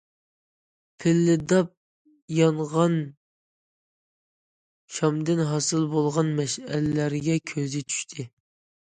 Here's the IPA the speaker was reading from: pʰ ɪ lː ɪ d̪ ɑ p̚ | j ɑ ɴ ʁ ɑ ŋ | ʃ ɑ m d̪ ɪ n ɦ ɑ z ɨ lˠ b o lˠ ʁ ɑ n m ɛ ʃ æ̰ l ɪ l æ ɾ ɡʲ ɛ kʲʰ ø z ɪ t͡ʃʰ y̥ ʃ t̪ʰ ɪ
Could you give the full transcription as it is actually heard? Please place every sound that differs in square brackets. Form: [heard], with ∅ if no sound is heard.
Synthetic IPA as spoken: pʰ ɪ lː ɪ d̪ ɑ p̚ | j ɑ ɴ ʁ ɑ [n] | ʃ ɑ m d̪ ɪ n ɦ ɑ [s] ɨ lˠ b o lˠ ʁ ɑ n m ɛ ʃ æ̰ l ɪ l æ ɾ ɡʲ ɛ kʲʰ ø z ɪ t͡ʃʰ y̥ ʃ t̪ʰ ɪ